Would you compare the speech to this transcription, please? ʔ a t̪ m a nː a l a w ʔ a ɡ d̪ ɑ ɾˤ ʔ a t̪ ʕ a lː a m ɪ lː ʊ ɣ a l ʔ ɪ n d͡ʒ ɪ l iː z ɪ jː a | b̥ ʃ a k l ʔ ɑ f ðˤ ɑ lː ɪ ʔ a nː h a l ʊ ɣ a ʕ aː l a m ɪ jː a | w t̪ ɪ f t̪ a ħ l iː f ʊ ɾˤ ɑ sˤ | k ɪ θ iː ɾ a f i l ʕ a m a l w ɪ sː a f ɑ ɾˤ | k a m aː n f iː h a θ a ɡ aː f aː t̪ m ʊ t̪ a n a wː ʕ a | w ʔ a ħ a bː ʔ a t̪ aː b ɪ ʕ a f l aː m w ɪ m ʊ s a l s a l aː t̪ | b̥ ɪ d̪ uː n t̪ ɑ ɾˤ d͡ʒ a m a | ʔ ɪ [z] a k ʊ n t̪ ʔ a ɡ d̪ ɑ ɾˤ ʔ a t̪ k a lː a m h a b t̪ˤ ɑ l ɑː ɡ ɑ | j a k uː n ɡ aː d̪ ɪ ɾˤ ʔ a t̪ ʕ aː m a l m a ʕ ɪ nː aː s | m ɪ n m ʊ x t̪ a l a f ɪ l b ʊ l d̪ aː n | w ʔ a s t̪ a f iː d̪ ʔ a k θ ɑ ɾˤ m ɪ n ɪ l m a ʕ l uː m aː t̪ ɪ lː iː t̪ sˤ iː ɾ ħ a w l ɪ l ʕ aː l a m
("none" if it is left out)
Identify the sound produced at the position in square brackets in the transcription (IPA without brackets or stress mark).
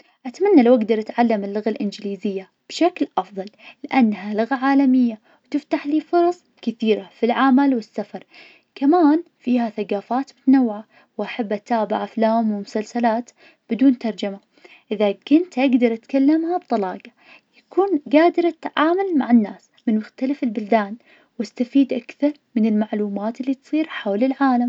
ð